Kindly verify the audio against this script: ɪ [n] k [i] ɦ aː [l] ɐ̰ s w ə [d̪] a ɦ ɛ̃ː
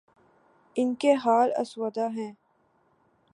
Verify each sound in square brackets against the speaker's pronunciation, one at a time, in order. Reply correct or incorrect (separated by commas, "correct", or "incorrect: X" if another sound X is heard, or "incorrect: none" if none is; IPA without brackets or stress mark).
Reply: correct, incorrect: e, correct, correct